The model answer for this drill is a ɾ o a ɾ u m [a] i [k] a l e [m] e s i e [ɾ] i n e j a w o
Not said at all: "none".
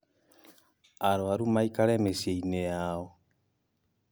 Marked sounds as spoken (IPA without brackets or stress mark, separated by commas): a, k, m, none